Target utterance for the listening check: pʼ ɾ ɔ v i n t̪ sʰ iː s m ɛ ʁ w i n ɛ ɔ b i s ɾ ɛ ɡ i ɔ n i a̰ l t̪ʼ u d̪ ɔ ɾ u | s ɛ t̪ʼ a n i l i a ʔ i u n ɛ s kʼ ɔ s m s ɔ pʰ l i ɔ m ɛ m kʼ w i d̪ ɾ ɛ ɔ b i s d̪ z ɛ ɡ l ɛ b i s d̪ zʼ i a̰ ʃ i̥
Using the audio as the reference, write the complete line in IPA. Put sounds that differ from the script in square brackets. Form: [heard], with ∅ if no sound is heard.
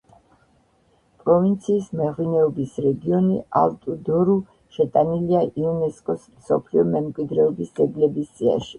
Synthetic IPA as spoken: pʼ ɾ ɔ v i n t̪ sʰ iː s m ɛ ʁ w i n ɛ ɔ b i s ɾ ɛ ɡ i ɔ n i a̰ l t̪ʼ u d̪ ɔ ɾ u | [ʃ] ɛ t̪ʼ a n i l i a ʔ i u n ɛ s kʼ ɔ s m s ɔ pʰ l i ɔ m ɛ m kʼ w i d̪ ɾ ɛ ɔ b i s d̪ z ɛ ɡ l ɛ b i s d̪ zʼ i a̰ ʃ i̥